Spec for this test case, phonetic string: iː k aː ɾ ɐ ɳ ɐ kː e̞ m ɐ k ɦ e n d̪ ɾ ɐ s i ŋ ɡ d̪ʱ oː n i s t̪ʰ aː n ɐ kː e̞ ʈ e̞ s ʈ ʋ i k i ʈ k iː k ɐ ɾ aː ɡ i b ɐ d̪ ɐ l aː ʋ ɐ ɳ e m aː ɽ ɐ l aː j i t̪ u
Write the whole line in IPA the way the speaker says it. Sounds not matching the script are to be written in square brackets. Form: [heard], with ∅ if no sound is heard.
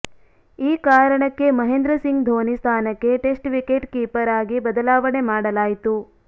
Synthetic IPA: iː k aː ɾ ɐ ɳ ɐ kː e̞ m ɐ [∅] ɦ e n d̪ ɾ ɐ s i ŋ ɡ d̪ʱ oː n i s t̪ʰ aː n ɐ kː e̞ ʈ e̞ s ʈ ʋ i k [e] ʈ k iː [p] ɐ ɾ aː ɡ i b ɐ d̪ ɐ l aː ʋ ɐ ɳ e m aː ɽ ɐ l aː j i t̪ u